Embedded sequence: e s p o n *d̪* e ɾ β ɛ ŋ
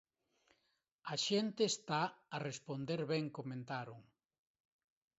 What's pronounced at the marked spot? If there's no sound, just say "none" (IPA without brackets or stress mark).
d̪